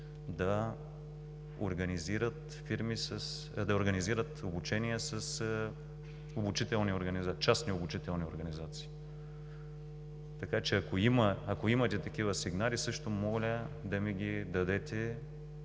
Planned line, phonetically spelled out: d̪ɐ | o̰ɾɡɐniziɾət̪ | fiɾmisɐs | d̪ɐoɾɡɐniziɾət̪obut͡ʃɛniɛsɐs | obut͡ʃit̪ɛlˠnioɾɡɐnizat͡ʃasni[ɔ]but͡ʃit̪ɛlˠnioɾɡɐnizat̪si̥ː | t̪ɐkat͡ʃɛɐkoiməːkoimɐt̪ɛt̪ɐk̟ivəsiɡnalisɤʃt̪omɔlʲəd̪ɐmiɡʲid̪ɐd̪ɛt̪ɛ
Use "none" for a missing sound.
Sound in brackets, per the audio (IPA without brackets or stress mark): o